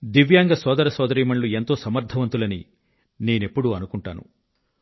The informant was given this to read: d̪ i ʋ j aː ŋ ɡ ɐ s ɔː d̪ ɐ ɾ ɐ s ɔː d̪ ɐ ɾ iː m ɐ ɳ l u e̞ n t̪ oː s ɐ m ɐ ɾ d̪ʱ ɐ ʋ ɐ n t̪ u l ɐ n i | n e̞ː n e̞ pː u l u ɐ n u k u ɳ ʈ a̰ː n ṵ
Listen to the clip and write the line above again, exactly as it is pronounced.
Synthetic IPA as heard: d̪ i ʋ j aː ŋ ɡ ɐ s ɔː d̪ ɐ ɾ ɐ s ɔː d̪ ɐ ɾ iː m ɐ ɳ l u e̞ n t̪ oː s ɐ m ɐ ɾ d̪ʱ ɐ ʋ ɐ n t̪ u l ɐ n i | n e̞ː n e̞ pː u ɽ u ɐ n u k u ɳ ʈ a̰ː n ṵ